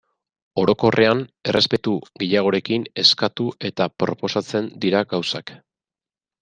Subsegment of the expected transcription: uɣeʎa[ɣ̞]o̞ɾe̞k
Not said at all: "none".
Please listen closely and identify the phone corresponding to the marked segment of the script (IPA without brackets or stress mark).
ɣ̞